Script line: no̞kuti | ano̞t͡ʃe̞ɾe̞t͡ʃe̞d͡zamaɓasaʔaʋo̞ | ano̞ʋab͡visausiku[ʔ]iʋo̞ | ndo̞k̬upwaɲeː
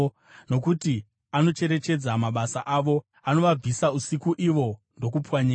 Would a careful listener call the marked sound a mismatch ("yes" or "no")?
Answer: no